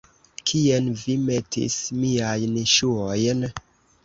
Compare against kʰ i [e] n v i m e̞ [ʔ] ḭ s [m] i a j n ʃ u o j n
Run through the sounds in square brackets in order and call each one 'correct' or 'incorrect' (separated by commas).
correct, incorrect, correct